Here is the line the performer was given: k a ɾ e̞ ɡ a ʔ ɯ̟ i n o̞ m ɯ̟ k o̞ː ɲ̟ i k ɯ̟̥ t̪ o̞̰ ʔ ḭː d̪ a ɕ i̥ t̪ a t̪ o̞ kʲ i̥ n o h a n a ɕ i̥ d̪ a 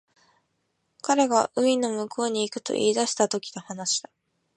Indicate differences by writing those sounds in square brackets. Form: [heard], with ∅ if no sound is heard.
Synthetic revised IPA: k a ɾ e̞ ɡ a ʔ ɯ̟ i n o̞ m ɯ̟ k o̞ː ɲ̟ [iː] k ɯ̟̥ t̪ o̞̰ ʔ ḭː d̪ a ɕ i̥ t̪ a t̪ o̞ kʲ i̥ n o h a n a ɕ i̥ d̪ a